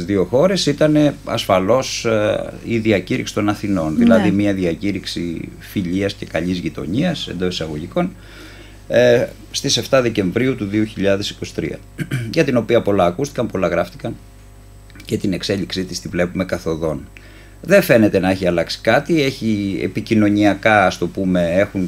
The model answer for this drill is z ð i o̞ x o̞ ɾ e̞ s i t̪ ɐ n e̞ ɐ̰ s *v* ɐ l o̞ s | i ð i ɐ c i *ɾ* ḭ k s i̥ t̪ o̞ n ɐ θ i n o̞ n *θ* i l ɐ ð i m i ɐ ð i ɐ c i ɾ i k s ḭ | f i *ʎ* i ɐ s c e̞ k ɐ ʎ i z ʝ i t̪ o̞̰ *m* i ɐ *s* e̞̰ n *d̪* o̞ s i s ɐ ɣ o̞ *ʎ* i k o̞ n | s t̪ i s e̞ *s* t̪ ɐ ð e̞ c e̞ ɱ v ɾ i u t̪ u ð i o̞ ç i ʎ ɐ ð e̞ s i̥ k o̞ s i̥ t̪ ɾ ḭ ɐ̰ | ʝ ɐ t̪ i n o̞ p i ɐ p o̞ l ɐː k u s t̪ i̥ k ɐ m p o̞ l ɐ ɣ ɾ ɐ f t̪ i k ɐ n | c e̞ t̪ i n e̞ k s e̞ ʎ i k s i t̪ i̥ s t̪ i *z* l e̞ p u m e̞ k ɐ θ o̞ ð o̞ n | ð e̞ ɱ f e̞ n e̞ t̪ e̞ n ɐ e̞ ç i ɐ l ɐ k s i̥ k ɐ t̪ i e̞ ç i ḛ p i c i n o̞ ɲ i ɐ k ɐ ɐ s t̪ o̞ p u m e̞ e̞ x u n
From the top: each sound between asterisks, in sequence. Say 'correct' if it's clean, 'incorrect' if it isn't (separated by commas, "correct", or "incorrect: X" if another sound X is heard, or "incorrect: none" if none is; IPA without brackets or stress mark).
incorrect: f, correct, incorrect: ð, correct, incorrect: ɲ, correct, correct, incorrect: ʝ, incorrect: f, incorrect: v